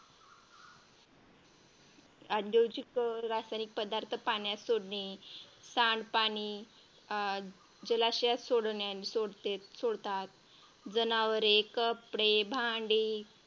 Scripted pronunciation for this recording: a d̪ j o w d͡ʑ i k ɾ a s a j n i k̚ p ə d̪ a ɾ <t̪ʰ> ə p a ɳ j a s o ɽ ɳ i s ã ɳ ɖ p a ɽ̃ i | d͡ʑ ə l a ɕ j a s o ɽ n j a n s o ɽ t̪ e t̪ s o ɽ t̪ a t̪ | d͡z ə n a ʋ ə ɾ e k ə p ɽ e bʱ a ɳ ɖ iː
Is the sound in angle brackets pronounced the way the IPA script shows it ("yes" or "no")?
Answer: yes